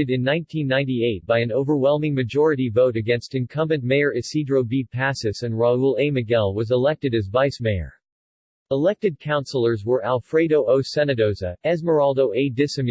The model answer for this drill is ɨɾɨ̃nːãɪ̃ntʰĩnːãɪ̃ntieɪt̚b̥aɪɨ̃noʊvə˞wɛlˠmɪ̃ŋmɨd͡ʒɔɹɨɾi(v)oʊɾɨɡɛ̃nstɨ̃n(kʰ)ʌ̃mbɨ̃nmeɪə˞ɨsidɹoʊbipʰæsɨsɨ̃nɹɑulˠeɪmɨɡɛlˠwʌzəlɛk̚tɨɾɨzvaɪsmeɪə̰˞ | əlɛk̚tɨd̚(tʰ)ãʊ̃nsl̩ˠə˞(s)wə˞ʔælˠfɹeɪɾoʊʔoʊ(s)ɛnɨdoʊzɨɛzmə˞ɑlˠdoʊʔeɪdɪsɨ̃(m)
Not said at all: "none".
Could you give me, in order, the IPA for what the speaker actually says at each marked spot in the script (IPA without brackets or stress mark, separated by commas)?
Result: v, kʰ, kʰ, z, s, m